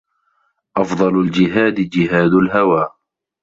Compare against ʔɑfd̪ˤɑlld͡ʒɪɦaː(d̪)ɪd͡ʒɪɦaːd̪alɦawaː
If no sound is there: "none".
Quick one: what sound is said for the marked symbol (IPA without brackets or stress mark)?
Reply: d̪